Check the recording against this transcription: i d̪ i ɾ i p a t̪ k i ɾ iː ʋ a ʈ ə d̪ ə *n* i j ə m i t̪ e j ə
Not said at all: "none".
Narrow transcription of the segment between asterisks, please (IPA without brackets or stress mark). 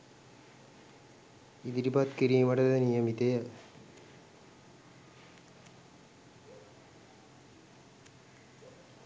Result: n